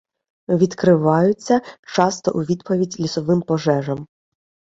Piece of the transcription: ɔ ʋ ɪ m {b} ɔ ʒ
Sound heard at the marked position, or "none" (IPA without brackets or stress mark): p